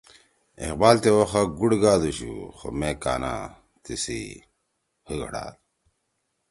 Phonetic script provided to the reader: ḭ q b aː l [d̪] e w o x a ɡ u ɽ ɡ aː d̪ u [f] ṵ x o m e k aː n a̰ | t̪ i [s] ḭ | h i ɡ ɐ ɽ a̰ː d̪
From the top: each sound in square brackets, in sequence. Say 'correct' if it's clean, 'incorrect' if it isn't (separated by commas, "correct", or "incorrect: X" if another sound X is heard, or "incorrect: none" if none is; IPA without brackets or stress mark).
incorrect: t̪, incorrect: ɕ, correct